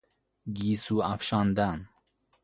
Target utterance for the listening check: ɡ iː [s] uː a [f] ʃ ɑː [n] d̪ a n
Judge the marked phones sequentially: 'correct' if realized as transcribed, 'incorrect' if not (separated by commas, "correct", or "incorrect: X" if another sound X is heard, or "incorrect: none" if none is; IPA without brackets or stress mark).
correct, correct, correct